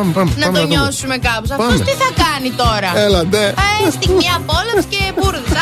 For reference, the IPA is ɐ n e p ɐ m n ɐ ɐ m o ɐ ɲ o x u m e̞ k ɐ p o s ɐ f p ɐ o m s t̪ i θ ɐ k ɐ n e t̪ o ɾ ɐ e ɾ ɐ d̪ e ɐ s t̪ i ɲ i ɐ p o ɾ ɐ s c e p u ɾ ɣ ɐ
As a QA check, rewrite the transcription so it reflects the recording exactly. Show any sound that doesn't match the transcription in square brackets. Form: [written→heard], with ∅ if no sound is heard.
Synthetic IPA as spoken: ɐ [n→m] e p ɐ m n ɐ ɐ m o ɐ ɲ o [x→s] u m e̞ k ɐ p o s ɐ f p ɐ o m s t̪ i θ ɐ k ɐ n [e→i] t̪ o ɾ ɐ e [ɾ→l] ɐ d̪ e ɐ s t̪ i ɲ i ɐ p o [ɾ→l] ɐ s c e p u ɾ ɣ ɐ